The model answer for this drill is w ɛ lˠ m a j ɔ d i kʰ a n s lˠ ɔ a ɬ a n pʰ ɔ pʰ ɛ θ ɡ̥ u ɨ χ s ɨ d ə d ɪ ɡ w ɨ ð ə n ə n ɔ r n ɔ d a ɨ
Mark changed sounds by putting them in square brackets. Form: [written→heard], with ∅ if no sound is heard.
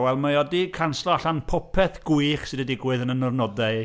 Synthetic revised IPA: w ɛ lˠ m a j ɔ d i kʰ a n s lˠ ɔ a ɬ a n pʰ ɔ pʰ ɛ θ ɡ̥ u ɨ χ s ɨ d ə d ɪ ɡ w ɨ ð ə n ə n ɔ r n ɔ d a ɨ

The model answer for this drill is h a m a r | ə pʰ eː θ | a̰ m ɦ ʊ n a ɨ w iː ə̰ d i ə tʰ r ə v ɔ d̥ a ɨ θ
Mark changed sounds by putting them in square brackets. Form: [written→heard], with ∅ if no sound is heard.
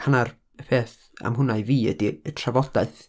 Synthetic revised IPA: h a [m→n] a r | ə pʰ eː θ | a̰ m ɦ ʊ n a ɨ [w→v] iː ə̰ d i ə tʰ r [ə→a] v ɔ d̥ a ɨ θ

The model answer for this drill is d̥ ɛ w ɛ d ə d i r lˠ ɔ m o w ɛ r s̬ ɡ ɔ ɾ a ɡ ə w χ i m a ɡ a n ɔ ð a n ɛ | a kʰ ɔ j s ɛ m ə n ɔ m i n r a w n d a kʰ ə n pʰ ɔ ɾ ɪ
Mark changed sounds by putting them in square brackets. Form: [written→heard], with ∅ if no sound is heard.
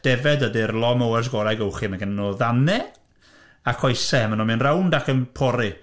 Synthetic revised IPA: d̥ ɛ [w→v] ɛ d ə d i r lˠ ɔ m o w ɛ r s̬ ɡ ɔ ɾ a ɡ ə w χ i m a ɡ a n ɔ ð a n ɛ | a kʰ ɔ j s ɛ m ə n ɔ m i n r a w n d a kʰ ə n pʰ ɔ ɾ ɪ

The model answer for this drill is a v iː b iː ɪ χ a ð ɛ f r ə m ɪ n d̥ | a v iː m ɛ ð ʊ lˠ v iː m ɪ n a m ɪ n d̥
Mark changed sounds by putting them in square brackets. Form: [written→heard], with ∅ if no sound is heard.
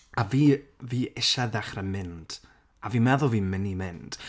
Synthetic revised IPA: a v iː [b→v] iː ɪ [χ→ʃ] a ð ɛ [f→χ] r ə m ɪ n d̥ | a v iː m ɛ ð ʊ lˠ v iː m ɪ n [a→i] m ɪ n d̥

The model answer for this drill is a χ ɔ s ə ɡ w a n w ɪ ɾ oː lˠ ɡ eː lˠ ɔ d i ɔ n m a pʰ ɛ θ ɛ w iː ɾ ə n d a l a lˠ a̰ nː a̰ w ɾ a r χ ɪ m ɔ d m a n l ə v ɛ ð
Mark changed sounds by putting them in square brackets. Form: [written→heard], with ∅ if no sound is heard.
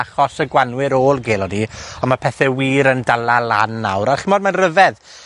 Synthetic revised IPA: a χ ɔ s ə ɡ w a n w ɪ ɾ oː lˠ ɡ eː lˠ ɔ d i ɔ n m a pʰ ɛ θ ɛ w iː ɾ ə n d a l a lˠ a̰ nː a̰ w ɾ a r χ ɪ m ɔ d m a n [l→r] ə v ɛ ð

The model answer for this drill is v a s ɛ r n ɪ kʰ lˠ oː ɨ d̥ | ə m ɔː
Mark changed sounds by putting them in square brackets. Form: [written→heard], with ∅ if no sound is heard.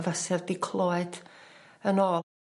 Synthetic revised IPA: v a s ɛ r [n→d] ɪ kʰ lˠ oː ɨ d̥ | ə [m→n] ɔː

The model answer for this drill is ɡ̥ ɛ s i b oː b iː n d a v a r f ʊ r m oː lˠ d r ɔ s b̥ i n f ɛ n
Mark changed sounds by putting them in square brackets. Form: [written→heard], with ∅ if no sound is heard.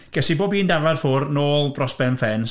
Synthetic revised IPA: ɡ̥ ɛ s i b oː b iː n d a v a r f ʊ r [m→n] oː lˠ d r ɔ s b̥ [i→ɛ] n f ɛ n

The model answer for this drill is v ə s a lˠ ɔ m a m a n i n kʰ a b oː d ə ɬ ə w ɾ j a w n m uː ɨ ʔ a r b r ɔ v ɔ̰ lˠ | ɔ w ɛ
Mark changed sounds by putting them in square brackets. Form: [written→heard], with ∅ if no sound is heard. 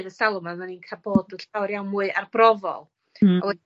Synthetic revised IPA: [v→ð] ə s a lˠ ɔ m a m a n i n kʰ a b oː d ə ɬ [ə→a] w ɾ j a w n m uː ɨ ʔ a r b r ɔ v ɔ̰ lˠ | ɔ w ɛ

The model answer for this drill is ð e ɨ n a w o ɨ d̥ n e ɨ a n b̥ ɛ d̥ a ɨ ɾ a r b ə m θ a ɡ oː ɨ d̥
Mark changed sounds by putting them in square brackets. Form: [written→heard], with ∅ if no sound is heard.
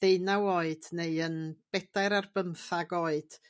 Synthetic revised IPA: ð e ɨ n a w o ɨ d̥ n e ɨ [a→ə] n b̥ ɛ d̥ a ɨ ɾ a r b ə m θ a ɡ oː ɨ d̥

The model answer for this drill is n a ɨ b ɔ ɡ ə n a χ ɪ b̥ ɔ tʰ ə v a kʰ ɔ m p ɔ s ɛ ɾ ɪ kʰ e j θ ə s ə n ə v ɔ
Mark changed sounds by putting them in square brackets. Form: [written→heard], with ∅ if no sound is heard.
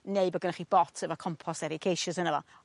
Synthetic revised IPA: n [a→e] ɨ b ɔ ɡ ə n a χ [ɪ→i] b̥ ɔ tʰ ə v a kʰ ɔ m [p→pʰ] ɔ s ɛ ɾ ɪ kʰ e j [θ→ʃ] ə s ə n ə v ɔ

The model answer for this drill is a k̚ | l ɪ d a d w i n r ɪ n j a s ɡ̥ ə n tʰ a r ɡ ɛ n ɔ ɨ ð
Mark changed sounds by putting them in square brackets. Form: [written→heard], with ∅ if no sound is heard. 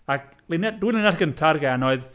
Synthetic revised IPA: a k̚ | l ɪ [d→n] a d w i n [r→l] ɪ n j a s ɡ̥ ə n tʰ a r ɡ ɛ n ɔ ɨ ð

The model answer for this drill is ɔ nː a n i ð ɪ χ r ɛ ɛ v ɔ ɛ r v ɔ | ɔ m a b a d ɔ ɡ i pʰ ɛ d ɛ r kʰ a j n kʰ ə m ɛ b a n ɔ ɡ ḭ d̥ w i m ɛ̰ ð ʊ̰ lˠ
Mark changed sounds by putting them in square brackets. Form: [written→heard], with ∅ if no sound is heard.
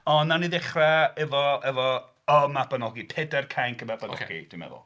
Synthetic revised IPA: ɔ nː a n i ð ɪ χ r ɛ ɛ v ɔ ɛ [r→∅] v ɔ | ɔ m a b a [d→n] ɔ ɡ i pʰ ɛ d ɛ r kʰ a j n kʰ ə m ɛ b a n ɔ ɡ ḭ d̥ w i m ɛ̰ ð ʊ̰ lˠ

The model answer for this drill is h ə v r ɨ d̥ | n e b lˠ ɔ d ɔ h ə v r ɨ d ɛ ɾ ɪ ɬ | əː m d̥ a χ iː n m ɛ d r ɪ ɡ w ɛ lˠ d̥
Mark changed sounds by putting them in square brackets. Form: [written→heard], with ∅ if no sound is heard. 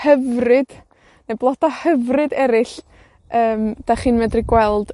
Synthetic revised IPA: h ə v r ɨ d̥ | n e b lˠ ɔ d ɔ h ə v r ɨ d ɛ ɾ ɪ ɬ | əː m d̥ a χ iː n m ɛ d r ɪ ɡ w ɛ lˠ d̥

